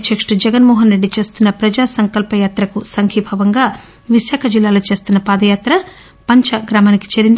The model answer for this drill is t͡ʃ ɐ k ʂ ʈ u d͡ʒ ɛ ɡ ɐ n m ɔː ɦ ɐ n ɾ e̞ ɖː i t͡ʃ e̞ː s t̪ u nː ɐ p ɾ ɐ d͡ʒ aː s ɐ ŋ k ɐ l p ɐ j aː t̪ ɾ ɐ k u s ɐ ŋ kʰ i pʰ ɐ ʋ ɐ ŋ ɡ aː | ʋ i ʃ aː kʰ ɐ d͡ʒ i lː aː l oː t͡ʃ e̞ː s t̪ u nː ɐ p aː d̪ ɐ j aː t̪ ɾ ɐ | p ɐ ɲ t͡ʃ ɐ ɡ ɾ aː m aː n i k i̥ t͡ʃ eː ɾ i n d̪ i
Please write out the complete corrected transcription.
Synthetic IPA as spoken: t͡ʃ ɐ k ʂ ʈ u d͡ʒ ɛ ɡ ɐ n m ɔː ɦ ɐ n ɾ e̞ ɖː i t͡ʃ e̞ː s t̪ u nː ɐ p ɾ ɐ d͡ʒ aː s ɐ ŋ k ɐ l p ɐ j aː t̪ ɾ ɐ k u s ɐ ŋ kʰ i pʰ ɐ ʋ ɐ ŋ ɡ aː | ʋ i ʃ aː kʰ ɐ d͡ʒ i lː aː l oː t͡ʃ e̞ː s t̪ u nː ɐ p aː d̪ ɐ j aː t̪ ɾ ɐ | p ɐ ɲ t͡ʃ ɐ ɡ ɾ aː m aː n i k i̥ t͡ʃ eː ɾ i n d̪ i